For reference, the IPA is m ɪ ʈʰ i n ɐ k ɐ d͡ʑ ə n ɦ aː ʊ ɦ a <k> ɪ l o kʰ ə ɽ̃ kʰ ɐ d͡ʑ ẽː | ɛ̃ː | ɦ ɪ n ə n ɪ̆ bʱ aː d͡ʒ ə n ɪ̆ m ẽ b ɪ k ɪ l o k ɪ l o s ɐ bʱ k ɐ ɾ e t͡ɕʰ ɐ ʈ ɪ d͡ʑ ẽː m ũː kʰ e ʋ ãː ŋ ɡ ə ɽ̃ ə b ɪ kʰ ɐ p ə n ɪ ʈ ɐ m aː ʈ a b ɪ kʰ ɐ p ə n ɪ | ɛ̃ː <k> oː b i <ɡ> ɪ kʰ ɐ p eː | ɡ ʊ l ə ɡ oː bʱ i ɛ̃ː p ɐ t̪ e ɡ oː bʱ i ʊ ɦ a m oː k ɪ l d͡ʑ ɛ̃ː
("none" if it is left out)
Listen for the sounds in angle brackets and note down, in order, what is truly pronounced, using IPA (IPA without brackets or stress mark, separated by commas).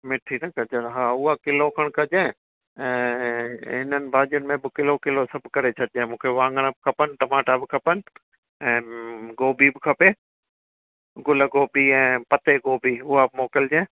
k, ɡ, b